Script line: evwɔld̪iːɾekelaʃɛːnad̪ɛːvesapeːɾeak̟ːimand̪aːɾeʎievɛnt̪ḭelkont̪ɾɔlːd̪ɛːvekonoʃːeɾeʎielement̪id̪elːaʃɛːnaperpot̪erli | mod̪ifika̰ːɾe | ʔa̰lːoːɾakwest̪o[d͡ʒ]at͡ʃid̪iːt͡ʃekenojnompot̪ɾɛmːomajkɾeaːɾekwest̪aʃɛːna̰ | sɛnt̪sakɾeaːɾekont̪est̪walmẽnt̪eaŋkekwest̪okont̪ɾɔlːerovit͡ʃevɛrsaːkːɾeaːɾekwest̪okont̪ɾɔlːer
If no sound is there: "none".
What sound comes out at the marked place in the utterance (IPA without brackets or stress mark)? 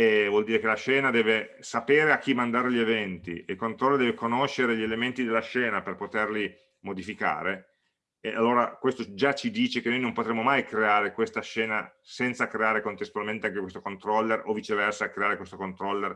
d͡ʒ